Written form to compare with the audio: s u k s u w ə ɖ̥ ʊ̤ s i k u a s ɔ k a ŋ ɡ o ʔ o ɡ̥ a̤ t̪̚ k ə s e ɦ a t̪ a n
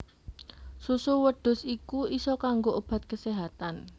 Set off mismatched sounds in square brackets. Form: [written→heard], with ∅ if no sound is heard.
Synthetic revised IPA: s u [k→∅] s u w ə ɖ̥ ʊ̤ s i k u [a→i] s ɔ k a ŋ ɡ o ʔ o [ɡ̥→b̥] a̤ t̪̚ k ə s e ɦ a t̪ a n